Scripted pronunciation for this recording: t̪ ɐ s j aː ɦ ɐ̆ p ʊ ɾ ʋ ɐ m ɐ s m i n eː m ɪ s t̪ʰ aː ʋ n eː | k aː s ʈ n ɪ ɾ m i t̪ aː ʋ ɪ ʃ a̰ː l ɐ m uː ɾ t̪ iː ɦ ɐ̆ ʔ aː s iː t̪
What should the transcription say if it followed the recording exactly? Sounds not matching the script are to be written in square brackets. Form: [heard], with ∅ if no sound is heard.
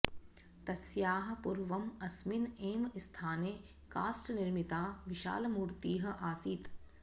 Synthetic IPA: t̪ ɐ s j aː ɦ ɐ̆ p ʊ ɾ ʋ ɐ m ɐ s m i n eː m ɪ s t̪ʰ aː [∅] n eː | k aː s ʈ n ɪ ɾ m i t̪ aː ʋ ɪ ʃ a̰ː l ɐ m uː ɾ t̪ iː ɦ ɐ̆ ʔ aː s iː t̪